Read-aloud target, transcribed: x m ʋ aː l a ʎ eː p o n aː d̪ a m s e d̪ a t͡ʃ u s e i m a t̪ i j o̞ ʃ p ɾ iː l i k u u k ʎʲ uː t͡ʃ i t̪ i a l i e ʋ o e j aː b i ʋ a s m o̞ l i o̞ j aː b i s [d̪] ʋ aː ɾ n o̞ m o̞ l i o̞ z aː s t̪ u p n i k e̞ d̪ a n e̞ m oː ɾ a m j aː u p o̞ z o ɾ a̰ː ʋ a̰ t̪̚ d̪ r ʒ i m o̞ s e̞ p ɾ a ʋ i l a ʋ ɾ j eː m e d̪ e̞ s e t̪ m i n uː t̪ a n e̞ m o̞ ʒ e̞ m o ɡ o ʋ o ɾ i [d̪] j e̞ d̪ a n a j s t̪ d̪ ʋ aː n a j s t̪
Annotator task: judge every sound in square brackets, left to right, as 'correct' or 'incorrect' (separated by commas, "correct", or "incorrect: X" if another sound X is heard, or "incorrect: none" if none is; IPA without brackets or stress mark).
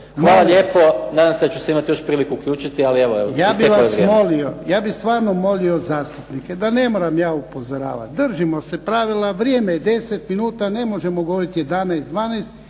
incorrect: t̪, incorrect: t̪